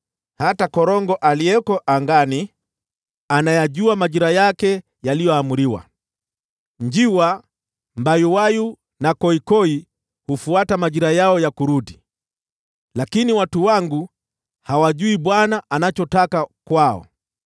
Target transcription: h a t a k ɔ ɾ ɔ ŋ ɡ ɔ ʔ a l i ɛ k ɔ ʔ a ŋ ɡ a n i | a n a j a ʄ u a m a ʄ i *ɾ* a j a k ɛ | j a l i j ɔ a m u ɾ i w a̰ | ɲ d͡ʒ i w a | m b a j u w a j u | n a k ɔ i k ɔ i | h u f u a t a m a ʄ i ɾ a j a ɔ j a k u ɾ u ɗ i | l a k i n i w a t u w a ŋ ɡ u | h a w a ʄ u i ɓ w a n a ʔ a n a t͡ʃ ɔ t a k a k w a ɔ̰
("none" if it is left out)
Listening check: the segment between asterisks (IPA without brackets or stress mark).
ɾ